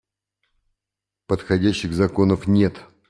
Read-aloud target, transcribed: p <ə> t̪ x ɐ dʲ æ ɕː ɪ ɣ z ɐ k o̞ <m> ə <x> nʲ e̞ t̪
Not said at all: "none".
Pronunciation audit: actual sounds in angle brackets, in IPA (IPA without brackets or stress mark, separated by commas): ə, n, f